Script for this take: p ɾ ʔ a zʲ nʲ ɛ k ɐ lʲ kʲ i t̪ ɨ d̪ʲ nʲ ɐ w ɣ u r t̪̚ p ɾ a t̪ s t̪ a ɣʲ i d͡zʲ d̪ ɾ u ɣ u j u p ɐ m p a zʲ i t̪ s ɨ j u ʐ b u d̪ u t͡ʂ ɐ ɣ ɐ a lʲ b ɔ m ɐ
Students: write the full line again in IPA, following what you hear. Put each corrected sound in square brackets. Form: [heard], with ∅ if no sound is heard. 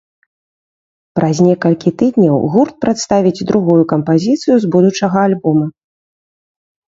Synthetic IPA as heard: p ɾ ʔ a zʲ nʲ ɛ k ɐ lʲ kʲ i t̪ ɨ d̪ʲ nʲ ɐ w ɣ u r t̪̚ p ɾ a t̪ s t̪ a [vʲ] i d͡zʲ d̪ ɾ u ɣ u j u [k] ɐ m p a zʲ i t̪ s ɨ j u [z] b u d̪ u t͡ʂ ɐ ɣ ɐ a lʲ b ɔ m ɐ